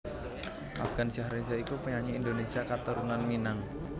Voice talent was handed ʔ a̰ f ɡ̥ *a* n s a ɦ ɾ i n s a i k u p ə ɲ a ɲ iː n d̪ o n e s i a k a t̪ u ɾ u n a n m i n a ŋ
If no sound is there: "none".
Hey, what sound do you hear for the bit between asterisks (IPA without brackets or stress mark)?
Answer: a